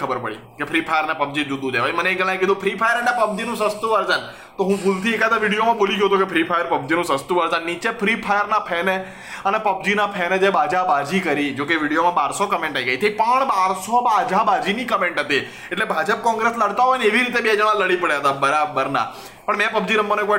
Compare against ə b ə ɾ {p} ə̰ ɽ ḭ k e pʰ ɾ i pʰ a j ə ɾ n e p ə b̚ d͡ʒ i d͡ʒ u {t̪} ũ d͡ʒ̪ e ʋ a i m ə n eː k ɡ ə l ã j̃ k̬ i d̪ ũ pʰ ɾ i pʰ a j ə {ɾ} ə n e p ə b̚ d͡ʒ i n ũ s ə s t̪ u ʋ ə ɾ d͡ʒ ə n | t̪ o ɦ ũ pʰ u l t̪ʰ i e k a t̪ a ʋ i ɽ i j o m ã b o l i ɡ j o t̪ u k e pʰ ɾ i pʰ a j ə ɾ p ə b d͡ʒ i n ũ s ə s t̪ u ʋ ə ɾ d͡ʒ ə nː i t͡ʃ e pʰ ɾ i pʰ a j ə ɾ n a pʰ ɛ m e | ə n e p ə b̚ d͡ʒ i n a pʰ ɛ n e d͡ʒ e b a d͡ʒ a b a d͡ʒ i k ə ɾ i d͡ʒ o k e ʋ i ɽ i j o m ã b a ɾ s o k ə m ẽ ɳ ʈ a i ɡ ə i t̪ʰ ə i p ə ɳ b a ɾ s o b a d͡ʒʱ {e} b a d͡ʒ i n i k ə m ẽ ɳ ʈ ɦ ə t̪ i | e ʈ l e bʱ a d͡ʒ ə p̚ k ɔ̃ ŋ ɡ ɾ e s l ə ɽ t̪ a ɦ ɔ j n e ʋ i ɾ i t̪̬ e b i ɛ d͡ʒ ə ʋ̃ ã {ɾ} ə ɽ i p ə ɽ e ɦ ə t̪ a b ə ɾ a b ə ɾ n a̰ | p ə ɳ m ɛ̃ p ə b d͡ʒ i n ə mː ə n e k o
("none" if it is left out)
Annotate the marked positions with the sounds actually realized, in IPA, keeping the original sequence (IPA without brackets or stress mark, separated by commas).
p, d̪, ɾ, a, l